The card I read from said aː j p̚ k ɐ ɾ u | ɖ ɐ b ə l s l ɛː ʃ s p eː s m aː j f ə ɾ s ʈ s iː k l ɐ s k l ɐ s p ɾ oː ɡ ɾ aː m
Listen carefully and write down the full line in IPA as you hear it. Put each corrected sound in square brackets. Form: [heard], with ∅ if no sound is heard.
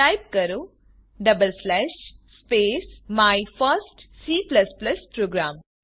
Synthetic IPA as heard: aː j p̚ k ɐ ɾ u | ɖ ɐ b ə l s l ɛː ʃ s p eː s m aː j f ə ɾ s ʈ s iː [p] l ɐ s [p] l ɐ s p ɾ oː ɡ ɾ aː m